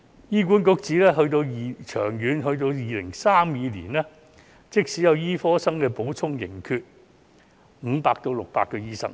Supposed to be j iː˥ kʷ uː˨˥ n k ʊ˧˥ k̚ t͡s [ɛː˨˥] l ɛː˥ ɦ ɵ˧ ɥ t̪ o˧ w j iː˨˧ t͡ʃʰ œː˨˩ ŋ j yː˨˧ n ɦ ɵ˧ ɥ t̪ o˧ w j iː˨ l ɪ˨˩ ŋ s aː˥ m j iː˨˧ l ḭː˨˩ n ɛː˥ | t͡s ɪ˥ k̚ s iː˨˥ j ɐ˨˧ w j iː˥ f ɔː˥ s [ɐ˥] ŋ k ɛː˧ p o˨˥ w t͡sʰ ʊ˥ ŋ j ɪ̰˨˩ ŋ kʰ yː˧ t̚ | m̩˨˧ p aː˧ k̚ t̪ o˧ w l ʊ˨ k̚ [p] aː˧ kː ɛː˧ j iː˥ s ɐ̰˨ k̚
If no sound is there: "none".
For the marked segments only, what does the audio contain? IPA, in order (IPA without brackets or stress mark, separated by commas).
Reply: iː˨˥, ɐ˥, p